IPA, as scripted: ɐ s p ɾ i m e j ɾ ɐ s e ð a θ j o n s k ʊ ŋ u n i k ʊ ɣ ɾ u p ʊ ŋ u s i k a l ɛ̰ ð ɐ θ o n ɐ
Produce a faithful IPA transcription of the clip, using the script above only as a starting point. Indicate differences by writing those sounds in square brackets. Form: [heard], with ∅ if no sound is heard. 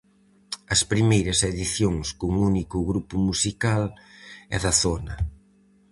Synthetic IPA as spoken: ɐ s p ɾ i m e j ɾ ɐ s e ð [i] θ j o [ŋ] s k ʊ ŋ u n i k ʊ ɣ ɾ u p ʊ [m] u s i k a l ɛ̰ ð ɐ θ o n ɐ